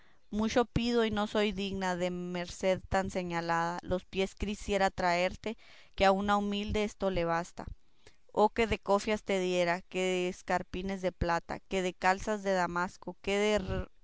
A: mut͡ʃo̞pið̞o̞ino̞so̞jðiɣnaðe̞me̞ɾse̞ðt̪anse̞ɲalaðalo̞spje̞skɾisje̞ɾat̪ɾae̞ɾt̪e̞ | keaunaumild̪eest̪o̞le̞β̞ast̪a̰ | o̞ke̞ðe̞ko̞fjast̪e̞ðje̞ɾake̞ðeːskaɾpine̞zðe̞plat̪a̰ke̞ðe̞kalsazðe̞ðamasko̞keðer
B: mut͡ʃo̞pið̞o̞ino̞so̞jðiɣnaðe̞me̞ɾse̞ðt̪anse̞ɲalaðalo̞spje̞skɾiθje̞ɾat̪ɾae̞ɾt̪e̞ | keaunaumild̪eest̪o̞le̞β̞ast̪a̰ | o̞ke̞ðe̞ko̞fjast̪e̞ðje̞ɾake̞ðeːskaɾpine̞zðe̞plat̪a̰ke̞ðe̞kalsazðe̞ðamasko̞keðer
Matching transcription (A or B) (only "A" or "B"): A